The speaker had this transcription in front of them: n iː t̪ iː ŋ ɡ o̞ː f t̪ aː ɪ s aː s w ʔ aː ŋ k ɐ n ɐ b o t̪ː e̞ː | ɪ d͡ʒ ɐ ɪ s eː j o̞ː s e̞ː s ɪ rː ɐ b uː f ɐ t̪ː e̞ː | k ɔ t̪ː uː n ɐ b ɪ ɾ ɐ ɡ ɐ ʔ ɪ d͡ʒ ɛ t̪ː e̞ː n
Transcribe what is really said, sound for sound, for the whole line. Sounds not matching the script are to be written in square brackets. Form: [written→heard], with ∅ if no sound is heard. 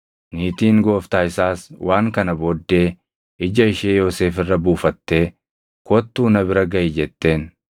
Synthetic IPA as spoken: n iː t̪ iː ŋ ɡ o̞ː f t̪ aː ɪ s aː s w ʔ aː ŋ k ɐ n ɐ b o [t̪ː→d̪ː] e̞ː | ɪ d͡ʒ ɐ ɪ [s→ʃ] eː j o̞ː s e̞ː [s→f] ɪ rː ɐ b uː f ɐ t̪ː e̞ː | k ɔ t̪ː uː n ɐ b ɪ ɾ ɐ ɡ ɐ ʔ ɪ d͡ʒ ɛ t̪ː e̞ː n